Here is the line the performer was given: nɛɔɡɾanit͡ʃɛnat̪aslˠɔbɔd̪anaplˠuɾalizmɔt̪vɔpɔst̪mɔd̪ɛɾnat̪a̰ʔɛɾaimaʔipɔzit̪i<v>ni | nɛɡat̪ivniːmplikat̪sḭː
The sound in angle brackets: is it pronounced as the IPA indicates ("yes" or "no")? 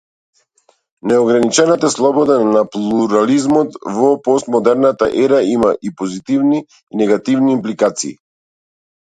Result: yes